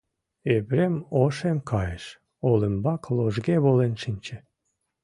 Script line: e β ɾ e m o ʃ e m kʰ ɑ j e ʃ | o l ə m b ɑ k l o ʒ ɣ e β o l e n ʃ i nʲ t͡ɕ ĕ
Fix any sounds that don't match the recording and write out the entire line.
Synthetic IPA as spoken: e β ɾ e m o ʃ e m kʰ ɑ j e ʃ | o l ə m b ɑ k l o ʒ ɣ e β o l e n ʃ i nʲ t͡ɕ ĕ

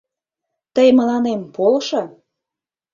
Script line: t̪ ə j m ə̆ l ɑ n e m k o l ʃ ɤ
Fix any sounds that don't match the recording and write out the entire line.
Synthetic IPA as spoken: t̪ ə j m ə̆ l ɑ n e m p o l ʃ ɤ

